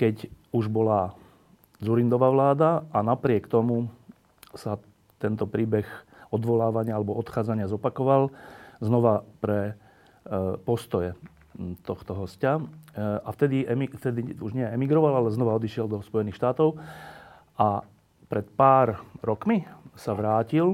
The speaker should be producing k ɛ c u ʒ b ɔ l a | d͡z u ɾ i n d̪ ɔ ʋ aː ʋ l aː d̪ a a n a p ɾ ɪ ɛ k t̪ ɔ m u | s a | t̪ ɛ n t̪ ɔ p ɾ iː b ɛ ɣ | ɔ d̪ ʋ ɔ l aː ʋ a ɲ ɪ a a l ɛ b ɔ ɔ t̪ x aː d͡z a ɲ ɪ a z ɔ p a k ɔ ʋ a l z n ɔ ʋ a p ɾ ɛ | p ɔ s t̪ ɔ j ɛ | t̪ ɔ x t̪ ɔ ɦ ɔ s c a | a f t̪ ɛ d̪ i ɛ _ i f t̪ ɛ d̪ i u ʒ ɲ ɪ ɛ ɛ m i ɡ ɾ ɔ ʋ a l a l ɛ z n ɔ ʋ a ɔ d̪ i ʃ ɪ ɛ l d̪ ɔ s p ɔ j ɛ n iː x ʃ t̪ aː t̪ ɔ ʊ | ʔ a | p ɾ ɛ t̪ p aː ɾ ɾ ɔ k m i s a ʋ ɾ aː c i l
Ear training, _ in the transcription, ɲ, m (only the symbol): m